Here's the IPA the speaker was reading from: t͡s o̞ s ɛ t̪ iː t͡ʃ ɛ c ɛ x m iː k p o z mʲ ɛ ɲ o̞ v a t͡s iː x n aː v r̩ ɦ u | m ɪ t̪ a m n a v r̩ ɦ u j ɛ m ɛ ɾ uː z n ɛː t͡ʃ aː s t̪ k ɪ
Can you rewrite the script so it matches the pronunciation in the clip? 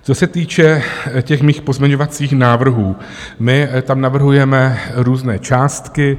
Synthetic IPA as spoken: t͡s o̞ s ɛ t̪ iː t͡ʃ ɛ c ɛ x m iː x p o z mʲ ɛ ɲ o̞ v a t͡s iː x n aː v r̩ ɦ uː | m ɪ t̪ a m n a v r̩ ɦ u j ɛ m ɛ ɾ uː z n ɛː t͡ʃ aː s t̪ k ɪ